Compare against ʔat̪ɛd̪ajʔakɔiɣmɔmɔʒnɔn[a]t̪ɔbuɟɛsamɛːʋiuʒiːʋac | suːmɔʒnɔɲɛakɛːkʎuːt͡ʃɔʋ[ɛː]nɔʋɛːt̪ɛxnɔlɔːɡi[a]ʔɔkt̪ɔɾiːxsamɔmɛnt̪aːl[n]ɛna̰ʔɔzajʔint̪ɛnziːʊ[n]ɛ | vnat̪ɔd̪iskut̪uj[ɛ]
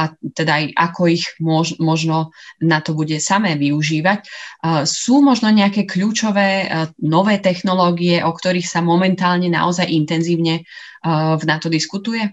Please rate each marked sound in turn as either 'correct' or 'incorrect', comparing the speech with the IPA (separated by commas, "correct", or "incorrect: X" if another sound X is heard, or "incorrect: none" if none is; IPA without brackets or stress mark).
correct, correct, incorrect: ɛ, incorrect: ɲ, incorrect: ɲ, correct